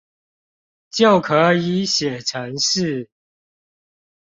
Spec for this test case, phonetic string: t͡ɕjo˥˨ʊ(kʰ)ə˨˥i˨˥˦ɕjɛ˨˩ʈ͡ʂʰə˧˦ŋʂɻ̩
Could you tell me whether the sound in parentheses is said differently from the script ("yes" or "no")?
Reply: no